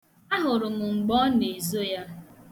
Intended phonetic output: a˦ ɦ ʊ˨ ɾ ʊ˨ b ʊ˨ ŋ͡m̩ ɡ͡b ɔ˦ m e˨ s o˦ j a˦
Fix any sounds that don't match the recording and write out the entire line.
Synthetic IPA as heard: a˦ ɦ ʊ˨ ɾ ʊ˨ m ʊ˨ ŋ͡m̩ ɡ͡b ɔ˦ n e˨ z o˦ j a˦